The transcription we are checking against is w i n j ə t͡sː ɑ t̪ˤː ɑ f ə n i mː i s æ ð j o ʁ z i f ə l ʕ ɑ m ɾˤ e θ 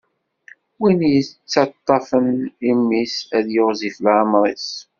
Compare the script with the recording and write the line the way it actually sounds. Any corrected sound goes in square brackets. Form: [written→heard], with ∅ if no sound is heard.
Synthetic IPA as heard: w i n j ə t͡sː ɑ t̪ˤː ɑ f ə n i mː i s æ ð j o ʁ z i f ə l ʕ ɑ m ɾˤ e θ

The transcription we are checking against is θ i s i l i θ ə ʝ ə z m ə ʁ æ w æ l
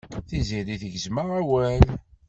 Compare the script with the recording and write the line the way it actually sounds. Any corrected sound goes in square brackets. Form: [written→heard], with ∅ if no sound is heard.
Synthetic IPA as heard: θ i [s→z] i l i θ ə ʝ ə z m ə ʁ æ w æ l

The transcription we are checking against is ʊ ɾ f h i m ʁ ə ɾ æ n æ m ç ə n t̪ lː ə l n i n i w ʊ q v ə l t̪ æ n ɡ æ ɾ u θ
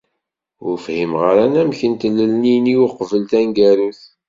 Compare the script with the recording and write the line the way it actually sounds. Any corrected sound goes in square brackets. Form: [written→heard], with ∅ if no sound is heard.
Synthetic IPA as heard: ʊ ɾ f h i m ʁ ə ɾ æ n æ m ç ə n t̪ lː ə l n i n i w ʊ q v ə l t̪ æ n ɡ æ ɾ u θ

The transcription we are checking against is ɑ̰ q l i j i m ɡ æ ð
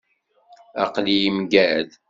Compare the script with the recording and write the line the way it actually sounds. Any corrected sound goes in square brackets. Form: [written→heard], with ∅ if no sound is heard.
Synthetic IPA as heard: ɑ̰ q l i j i m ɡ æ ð

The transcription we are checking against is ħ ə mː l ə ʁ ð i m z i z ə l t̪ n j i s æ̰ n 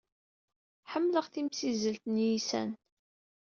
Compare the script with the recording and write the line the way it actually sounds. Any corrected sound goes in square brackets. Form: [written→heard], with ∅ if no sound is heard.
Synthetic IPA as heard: ħ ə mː l ə ʁ [ð→θ] i m [z→s] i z ə l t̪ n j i s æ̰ n

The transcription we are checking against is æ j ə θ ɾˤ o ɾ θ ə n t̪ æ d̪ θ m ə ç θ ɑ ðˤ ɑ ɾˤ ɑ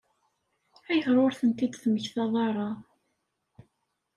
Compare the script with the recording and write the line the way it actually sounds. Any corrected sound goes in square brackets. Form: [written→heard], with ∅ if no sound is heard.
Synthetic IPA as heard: æ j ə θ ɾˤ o ɾ θ ə n t̪ [æ→i] d̪ θ m ə ç θ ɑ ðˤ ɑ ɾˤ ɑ

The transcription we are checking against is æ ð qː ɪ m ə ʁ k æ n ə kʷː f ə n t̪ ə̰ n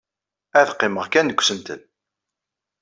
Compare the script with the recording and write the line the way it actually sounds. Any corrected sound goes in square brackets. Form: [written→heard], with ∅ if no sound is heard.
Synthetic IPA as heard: æ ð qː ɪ m ə ʁ k æ n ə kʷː [f→s] ə n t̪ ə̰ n

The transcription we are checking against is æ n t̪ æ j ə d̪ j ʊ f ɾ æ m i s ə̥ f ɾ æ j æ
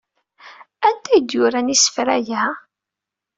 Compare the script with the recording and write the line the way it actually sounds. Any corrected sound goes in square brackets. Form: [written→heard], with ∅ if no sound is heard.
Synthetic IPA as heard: æ n t̪ æ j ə d̪ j ʊ [f→∅] ɾ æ [m→n] i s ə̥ f ɾ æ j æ

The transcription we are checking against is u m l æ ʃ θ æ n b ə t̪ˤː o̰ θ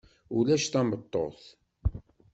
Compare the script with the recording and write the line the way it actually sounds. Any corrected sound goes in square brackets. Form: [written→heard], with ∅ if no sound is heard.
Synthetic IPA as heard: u [m→∅] l æ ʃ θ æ [n→m] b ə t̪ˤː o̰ θ

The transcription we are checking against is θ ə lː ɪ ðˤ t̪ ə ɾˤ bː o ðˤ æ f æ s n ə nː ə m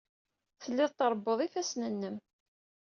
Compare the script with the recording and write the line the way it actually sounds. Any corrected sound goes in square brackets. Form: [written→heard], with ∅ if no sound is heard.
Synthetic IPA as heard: θ ə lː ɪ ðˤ t̪ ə ɾˤ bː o ðˤ [æ→i] f æ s n ə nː ə m

